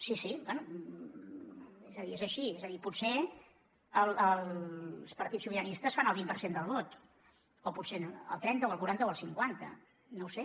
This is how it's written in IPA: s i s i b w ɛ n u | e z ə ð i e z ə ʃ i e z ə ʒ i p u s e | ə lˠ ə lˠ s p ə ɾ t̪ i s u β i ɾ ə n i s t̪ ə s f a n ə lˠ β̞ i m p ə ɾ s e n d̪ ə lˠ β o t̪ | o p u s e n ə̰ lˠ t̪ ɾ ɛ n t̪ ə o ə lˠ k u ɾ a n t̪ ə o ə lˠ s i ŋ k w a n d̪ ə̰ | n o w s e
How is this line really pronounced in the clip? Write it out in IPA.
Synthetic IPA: s i s i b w ɛ n u | e z ə ð i e z ə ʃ i e z ə ð i p u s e | ə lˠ ə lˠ s p ə ɾ t̪ i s u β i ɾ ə n i s t̪ ə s f a n ə lˠ β̞ i m p ə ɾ s e n d̪ ə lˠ β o t̪ | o p u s e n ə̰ lˠ t̪ ɾ ɛ n t̪ ə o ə lˠ k u ɾ a n t̪ ə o ə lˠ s i ŋ k w a n t̪ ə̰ | n o w s e